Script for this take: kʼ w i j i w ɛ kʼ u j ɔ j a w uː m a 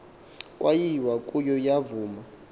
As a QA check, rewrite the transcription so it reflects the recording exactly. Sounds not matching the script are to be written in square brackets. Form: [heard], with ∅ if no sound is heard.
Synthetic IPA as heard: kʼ w [a] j i w [a] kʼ u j ɔ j a [v] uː m a